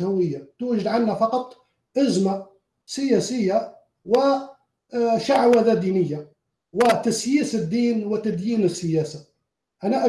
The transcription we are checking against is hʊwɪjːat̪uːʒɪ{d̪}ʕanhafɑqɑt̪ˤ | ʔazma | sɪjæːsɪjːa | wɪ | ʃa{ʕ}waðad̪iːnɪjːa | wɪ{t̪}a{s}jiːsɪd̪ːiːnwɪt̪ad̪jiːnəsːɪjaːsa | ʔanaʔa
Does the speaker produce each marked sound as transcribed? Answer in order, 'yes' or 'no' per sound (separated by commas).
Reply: yes, yes, yes, yes